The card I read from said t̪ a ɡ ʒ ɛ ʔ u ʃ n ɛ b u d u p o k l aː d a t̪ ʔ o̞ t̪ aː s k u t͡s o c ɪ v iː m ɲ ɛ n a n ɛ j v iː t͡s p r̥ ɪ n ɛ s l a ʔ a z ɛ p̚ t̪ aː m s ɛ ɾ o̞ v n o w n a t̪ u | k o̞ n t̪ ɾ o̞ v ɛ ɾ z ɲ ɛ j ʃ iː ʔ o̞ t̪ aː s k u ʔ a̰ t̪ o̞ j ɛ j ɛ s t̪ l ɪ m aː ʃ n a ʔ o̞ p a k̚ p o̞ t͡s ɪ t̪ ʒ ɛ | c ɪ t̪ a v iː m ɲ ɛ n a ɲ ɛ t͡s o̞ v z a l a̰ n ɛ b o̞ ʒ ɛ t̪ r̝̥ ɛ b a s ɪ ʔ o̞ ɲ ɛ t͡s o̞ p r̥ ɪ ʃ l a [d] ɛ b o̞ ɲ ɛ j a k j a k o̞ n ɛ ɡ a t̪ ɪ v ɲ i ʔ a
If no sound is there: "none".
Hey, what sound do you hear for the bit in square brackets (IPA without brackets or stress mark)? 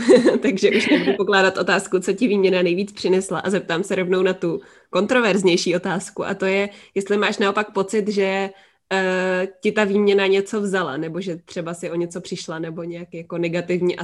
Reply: n